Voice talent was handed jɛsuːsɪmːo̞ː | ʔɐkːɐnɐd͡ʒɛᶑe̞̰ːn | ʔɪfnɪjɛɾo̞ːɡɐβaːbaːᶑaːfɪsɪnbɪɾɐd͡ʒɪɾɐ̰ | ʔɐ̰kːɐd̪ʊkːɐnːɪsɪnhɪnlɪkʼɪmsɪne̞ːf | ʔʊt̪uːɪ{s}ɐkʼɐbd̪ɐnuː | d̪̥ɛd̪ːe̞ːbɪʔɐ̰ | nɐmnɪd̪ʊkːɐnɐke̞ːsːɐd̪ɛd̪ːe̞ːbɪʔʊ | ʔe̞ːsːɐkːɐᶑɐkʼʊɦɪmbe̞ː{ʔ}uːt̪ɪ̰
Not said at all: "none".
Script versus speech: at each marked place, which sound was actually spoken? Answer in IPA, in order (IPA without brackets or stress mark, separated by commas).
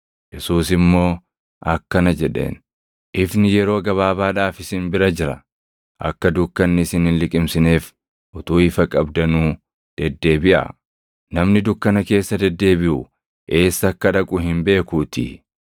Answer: f, k